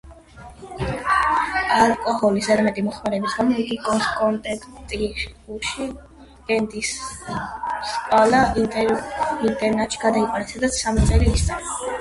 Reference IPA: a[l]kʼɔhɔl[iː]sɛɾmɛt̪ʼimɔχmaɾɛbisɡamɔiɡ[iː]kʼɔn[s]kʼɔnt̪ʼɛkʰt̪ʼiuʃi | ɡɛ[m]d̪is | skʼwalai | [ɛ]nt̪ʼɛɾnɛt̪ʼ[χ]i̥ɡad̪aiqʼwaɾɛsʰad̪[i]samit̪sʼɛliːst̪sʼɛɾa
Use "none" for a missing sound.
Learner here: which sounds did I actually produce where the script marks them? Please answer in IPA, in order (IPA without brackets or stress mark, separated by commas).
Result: l, i, i, s, n, i, ʃ, a